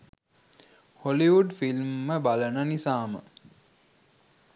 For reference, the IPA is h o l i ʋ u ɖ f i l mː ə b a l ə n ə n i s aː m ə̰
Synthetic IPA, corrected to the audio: h o l i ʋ u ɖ f i l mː ə b a l ə n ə n i s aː m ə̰